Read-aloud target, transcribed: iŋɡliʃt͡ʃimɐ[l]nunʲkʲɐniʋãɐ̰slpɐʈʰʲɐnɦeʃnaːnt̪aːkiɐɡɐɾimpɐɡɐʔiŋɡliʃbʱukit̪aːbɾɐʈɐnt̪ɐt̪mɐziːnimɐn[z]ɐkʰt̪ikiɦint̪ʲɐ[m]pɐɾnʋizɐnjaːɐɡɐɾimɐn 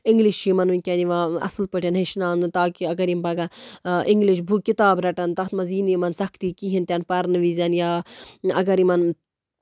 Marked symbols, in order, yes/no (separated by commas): no, no, no